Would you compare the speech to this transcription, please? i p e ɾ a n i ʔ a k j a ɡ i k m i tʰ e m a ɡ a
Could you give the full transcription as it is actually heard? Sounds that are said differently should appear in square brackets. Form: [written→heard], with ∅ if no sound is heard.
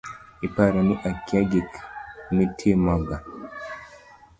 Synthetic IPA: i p [e→a] ɾ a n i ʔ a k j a ɡ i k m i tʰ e m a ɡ a